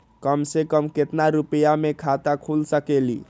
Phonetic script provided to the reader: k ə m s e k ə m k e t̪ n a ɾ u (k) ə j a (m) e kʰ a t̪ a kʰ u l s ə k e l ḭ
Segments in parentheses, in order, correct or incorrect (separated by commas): incorrect, correct